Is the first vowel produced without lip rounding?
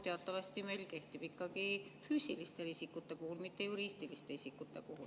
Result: yes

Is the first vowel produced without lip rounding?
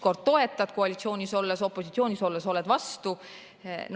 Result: no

